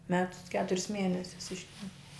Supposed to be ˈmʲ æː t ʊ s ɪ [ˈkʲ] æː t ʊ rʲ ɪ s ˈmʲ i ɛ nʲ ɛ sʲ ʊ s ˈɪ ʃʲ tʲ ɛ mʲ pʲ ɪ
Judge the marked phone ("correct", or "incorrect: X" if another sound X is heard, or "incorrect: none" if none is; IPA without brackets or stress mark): correct